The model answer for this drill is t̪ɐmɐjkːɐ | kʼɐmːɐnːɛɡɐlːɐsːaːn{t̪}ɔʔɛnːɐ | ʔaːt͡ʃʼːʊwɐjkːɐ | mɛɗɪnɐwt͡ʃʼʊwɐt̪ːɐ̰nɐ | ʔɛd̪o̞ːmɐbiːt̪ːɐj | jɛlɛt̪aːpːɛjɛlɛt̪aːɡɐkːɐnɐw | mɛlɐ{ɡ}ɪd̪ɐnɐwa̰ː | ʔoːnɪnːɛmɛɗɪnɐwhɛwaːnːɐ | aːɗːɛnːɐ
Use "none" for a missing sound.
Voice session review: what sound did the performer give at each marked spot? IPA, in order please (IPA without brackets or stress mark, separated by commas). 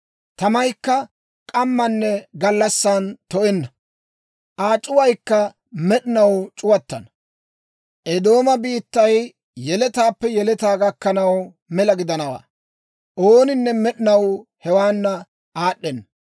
t̪, ɡ